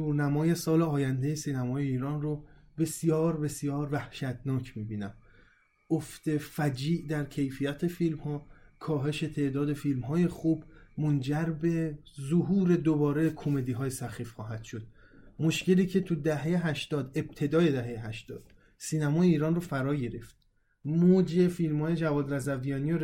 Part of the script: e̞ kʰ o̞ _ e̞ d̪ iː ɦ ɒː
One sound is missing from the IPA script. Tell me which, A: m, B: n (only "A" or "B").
A